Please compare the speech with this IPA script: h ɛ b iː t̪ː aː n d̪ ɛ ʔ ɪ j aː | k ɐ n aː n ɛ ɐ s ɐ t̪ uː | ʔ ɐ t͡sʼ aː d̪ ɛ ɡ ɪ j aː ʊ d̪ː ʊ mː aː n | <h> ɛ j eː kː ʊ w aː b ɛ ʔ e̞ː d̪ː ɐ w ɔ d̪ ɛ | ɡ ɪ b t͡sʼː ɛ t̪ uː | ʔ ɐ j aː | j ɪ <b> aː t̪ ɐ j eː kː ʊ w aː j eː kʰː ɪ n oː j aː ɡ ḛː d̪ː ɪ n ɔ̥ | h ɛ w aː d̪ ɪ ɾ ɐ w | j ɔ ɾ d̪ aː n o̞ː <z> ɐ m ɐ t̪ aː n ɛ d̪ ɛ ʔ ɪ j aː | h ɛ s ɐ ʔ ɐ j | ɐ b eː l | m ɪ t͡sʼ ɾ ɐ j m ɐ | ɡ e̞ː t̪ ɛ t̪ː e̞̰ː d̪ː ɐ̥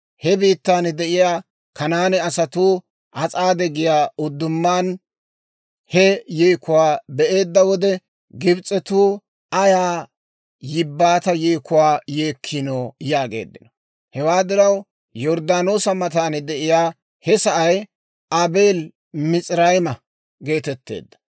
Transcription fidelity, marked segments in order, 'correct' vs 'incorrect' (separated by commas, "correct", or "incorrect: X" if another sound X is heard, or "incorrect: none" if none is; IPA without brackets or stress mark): correct, incorrect: bː, incorrect: s